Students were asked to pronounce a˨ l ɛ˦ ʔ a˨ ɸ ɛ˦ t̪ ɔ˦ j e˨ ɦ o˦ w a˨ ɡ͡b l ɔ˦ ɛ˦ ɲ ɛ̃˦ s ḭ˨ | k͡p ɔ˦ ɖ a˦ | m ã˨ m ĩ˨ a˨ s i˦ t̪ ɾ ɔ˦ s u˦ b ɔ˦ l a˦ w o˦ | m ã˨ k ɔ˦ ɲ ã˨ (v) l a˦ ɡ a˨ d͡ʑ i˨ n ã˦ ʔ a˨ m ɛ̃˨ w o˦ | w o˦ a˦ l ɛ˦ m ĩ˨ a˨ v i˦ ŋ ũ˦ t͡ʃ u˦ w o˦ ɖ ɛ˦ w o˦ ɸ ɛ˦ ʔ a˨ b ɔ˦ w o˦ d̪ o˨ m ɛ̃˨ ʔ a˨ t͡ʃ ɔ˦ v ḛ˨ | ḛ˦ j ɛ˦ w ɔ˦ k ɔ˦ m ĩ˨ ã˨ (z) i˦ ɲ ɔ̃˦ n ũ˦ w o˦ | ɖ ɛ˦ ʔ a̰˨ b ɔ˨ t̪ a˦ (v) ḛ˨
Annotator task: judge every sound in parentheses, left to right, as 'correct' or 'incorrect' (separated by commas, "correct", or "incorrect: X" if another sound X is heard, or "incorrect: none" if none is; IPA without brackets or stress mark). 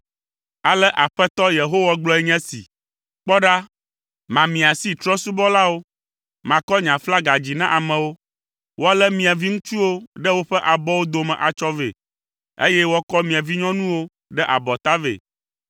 incorrect: f, incorrect: v, correct